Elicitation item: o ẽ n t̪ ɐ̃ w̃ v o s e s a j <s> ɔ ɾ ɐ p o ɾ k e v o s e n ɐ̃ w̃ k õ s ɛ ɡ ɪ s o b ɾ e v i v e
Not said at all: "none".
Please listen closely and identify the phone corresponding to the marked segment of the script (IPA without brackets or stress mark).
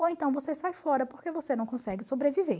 f